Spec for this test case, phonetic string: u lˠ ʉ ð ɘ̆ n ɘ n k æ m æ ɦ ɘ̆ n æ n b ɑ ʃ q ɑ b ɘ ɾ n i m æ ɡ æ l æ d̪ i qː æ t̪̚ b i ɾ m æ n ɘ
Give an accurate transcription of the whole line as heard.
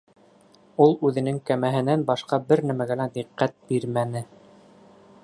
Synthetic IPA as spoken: u lˠ ʉ ð ɘ̆ n ɘ ŋ k æ m æ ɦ ɘ̆ n æ n b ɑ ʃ q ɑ b ɘ ɾ n æ m æ ɡ æ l æ d̪ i qː æ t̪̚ b i ɾ m æ n ɘ